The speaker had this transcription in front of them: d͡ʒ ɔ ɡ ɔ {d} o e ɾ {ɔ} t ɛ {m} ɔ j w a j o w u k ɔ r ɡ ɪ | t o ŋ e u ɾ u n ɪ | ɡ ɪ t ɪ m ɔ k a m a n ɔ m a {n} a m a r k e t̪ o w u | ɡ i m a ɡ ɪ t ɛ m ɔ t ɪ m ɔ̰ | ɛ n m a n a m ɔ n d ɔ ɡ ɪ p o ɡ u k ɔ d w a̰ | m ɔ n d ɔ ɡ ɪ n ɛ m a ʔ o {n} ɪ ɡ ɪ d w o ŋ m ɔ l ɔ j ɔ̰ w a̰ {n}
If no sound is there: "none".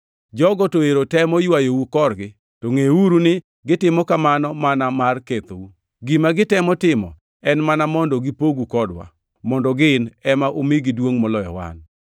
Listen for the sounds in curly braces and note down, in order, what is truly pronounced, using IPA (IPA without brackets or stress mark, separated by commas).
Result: t, o, m, n, m, n